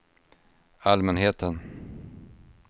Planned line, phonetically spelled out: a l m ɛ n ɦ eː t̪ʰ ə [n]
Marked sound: correct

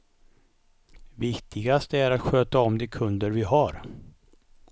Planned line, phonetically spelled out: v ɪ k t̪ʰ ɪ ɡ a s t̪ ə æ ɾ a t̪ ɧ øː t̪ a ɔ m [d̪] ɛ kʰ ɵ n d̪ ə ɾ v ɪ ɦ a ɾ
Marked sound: correct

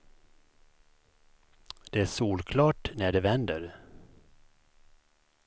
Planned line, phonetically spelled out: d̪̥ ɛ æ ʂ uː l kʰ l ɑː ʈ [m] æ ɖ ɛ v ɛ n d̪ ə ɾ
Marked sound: incorrect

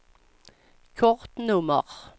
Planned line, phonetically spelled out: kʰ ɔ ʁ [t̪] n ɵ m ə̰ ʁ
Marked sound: correct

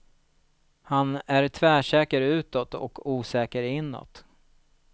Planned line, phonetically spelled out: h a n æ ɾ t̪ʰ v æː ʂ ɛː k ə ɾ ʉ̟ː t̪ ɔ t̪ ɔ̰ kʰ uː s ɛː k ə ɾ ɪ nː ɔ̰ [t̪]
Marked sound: correct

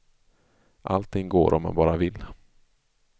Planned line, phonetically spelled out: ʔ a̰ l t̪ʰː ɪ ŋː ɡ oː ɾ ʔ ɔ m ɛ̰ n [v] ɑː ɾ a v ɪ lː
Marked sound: incorrect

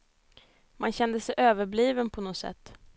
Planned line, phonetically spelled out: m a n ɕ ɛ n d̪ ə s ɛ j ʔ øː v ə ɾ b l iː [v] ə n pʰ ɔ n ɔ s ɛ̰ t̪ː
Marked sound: correct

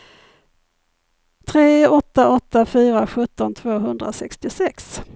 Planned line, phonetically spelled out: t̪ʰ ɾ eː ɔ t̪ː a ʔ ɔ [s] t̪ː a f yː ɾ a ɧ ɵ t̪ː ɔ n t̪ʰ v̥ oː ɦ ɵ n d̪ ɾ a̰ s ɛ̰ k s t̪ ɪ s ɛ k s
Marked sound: incorrect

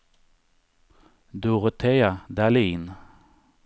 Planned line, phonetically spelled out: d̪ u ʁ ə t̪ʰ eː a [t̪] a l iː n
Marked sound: incorrect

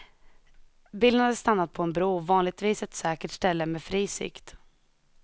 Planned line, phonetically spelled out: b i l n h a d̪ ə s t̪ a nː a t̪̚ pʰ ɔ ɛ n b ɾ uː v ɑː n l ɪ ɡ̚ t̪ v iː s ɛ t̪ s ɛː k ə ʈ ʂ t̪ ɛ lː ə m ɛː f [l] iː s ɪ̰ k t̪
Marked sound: incorrect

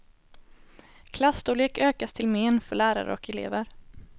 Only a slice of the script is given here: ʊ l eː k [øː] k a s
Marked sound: correct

